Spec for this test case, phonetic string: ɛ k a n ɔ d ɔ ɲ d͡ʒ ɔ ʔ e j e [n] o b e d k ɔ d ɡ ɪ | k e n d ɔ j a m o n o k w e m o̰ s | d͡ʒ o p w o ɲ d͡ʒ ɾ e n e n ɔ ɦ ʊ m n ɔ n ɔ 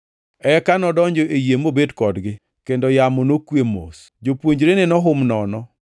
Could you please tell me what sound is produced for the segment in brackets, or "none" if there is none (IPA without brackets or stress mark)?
m